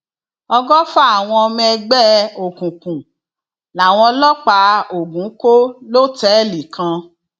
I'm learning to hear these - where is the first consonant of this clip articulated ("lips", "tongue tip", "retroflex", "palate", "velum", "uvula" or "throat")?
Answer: velum